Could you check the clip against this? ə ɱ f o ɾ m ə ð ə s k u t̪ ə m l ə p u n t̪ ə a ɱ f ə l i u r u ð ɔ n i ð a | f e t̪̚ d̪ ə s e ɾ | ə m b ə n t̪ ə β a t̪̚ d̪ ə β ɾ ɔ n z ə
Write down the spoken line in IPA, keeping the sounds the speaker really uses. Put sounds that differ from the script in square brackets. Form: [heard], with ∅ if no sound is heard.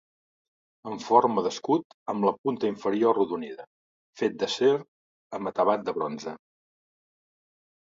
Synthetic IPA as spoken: ə ɱ f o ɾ m ə ð ə s k u t̪ ə m l ə p u n t̪ ə [i] ɱ f ə [ɾ] i [o] r u ð [u] n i ð [ə] | f e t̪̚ d̪ ə s e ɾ | ə m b ə [∅] t̪ ə β a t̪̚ d̪ ə β ɾ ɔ n z ə